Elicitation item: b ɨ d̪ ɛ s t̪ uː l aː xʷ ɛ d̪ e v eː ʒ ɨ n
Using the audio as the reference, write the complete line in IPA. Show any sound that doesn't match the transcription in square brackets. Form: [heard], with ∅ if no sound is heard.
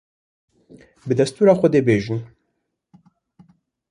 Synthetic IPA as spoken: b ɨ d̪ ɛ s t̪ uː [ɾ] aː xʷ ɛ d̪ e [b] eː ʒ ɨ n